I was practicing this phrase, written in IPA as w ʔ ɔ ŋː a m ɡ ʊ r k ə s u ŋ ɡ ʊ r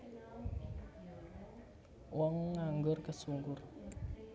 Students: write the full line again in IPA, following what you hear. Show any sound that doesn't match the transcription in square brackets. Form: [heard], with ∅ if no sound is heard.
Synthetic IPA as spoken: w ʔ ɔ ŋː a [ŋ] ɡ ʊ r k ə s u ŋ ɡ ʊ r